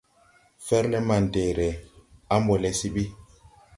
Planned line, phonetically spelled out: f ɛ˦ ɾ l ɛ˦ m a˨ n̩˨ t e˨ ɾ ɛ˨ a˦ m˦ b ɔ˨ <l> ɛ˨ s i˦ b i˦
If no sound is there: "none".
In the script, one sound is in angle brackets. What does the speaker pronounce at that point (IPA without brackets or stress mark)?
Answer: l